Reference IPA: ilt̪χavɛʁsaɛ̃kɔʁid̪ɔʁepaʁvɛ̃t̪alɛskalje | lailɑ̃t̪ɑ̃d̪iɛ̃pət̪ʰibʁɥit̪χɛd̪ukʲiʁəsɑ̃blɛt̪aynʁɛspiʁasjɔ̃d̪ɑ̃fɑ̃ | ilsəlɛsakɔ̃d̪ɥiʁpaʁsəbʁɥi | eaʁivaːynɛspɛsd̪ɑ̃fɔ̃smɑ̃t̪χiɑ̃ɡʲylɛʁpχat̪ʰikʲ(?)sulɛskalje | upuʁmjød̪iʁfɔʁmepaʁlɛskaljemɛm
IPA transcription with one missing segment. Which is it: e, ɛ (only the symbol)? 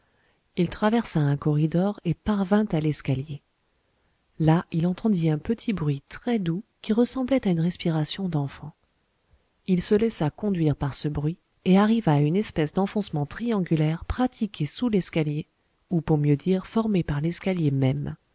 e